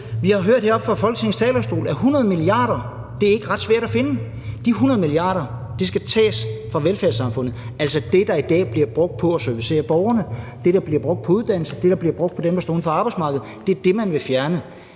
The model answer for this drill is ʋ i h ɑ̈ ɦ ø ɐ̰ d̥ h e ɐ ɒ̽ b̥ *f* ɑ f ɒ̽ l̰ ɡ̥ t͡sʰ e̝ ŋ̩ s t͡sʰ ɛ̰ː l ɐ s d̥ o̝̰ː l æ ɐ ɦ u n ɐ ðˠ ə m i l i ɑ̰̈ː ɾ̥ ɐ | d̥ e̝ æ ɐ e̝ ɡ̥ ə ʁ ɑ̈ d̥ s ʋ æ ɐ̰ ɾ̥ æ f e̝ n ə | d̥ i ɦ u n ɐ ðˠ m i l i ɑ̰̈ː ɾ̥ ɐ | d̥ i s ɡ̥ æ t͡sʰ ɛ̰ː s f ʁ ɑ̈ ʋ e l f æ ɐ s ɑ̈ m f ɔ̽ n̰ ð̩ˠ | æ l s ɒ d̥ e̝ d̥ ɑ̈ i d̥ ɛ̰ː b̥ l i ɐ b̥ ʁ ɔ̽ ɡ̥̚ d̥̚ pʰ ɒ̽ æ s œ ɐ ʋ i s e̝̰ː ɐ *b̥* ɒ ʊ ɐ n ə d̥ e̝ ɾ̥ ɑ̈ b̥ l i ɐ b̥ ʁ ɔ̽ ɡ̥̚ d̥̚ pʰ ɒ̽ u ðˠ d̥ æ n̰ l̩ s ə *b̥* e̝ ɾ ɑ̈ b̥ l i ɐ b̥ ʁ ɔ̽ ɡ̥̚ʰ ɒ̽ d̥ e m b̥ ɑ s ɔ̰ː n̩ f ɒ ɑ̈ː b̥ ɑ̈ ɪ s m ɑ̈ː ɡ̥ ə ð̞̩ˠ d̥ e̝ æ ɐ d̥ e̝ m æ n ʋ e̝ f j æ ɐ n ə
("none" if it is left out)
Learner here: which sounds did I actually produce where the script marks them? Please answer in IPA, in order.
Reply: f, b̥, d̥

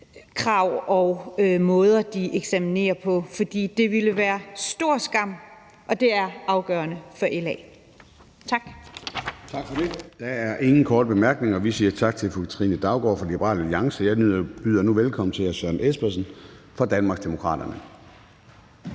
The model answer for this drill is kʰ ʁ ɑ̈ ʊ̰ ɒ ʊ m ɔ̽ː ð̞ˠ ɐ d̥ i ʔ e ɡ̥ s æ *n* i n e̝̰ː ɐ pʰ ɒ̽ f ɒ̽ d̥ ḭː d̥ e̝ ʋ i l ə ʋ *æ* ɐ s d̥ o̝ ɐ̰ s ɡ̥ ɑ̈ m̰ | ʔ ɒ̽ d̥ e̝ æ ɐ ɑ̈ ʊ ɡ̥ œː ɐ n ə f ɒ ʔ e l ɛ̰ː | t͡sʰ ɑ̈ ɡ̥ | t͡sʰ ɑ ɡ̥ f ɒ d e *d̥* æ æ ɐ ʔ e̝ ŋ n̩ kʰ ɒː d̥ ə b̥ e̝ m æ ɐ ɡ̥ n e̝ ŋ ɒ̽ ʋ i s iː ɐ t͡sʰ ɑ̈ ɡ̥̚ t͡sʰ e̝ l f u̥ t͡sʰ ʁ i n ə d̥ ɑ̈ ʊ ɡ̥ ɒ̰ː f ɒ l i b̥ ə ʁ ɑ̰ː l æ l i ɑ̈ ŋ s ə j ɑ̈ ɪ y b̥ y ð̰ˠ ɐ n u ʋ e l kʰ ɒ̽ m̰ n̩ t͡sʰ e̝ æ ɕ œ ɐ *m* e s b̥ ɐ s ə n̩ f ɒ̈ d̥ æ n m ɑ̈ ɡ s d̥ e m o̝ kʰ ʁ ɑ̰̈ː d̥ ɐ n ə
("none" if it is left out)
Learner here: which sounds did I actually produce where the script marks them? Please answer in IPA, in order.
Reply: m, æː, d̥, n

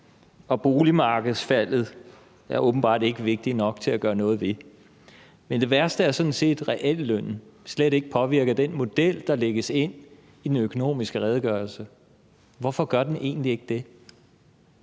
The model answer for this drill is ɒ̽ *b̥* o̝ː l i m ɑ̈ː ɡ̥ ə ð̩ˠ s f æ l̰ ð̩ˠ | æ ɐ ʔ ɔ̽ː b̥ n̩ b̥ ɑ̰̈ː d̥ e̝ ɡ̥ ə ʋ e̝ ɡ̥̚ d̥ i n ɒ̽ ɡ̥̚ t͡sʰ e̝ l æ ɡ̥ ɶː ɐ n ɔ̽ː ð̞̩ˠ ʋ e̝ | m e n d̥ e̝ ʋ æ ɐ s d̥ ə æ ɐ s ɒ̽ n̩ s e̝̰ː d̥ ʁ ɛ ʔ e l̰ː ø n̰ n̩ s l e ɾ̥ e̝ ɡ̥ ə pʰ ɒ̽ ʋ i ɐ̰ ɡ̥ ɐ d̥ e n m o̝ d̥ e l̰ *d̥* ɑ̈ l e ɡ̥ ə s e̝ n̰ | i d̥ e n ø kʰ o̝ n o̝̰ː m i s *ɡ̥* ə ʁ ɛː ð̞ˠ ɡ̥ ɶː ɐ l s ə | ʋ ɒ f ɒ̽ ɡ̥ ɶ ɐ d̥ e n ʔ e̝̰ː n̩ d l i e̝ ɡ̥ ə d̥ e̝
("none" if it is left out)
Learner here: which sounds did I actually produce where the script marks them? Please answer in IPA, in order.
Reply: b̥, d̥, ɡ̥

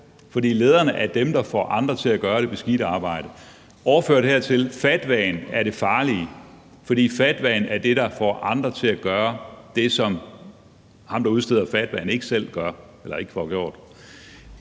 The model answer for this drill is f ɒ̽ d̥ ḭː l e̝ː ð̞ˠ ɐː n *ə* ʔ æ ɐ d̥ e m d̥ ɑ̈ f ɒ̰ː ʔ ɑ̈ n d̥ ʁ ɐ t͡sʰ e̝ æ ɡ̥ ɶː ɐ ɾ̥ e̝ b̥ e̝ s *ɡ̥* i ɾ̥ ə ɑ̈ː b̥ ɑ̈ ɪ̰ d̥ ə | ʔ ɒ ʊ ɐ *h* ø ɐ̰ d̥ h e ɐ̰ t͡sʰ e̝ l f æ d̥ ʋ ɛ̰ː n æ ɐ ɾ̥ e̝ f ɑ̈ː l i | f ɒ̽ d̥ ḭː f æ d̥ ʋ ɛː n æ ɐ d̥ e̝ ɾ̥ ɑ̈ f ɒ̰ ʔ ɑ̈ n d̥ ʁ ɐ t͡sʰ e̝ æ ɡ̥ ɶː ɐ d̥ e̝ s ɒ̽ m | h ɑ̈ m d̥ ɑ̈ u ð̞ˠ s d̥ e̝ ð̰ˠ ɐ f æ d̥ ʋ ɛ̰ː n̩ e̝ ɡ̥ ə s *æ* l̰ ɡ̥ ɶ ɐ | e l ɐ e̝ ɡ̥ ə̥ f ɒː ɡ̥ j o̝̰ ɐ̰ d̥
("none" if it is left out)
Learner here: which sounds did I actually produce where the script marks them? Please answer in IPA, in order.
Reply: ə, ɡ̥, f, e

